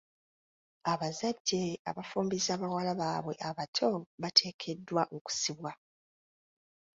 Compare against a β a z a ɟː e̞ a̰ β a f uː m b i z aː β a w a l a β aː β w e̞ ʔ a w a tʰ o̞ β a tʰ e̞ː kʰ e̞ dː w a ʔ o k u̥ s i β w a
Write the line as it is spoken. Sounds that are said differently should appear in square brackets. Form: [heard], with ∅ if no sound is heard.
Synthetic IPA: a β a z a ɟː e̞ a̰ β a f uː m b i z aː β a w a l a β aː β w e̞ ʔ a [β] a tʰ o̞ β a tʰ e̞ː kʰ e̞ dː w a ʔ o k u̥ s i β w a